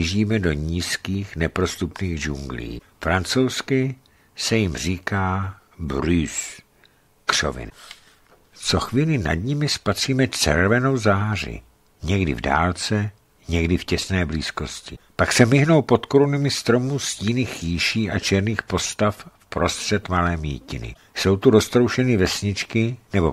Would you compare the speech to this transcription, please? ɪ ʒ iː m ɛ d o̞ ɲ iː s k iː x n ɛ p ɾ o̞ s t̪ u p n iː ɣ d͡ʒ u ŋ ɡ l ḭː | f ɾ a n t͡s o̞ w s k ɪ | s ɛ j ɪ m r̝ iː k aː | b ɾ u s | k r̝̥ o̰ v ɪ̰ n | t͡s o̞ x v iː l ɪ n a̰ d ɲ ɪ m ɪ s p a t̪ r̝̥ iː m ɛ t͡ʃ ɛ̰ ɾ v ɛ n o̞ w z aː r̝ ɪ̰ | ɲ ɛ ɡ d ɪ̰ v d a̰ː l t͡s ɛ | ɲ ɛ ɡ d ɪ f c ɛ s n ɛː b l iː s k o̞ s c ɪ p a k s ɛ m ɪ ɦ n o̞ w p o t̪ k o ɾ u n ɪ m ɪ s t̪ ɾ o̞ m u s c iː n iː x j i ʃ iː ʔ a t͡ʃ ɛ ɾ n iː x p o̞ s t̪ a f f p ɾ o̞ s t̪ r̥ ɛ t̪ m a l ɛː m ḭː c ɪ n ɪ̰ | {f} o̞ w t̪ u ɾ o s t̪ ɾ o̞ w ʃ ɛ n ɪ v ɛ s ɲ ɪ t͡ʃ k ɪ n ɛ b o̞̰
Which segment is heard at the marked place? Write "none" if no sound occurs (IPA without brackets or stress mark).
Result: s